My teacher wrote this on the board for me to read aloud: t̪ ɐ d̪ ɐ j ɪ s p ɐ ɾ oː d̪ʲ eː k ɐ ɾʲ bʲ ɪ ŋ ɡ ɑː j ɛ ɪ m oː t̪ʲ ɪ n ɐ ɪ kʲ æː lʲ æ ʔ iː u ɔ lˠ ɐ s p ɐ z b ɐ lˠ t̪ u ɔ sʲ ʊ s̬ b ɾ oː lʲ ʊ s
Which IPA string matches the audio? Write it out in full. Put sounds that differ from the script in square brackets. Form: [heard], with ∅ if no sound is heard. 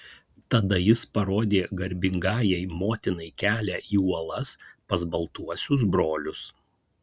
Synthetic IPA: t̪ ɐ d̪ ɐ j ɪ s p ɐ ɾ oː d̪ʲ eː [ɡ] ɐ ɾʲ bʲ ɪ ŋ ɡ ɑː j ɛ ɪ m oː t̪ʲ ɪ n ɐ ɪ kʲ æː lʲ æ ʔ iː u ɔ lˠ ɐ s p ɐ z b ɐ lˠ t̪ u ɔ sʲ ʊ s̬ b ɾ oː lʲ ʊ s